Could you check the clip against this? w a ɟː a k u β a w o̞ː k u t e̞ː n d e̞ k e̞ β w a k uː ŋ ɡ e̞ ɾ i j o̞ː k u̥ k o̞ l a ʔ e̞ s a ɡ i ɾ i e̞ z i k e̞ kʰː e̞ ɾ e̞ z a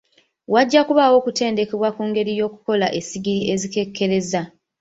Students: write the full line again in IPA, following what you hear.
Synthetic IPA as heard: w a ɟː a k u β a w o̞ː k u t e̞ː n d e̞ k e̞ β w a k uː ŋ ɡ e̞ ɾ i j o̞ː k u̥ k o̞ l a ʔ e̞ s i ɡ i ɾ i e̞ z i k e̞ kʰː e̞ ɾ e̞ z a